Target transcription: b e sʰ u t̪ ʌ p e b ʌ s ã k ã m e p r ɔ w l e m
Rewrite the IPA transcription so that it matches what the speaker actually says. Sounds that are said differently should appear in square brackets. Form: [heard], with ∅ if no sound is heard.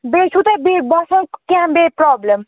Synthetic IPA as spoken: b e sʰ u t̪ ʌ [b] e b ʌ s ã k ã [b] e p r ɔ [b] l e m